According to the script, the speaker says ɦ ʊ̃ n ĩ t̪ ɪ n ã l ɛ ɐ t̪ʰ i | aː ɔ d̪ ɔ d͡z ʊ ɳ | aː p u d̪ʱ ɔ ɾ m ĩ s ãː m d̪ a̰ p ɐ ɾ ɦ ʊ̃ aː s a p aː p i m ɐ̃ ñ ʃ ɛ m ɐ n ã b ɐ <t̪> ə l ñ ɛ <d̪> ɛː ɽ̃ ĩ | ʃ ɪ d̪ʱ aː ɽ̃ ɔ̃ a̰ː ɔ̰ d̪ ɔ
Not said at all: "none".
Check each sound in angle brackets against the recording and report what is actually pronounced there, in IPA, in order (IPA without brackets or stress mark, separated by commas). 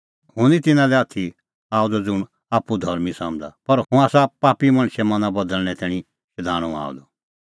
d̪, t̪